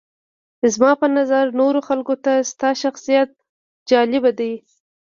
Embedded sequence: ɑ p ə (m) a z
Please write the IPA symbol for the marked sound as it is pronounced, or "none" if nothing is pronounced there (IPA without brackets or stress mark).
n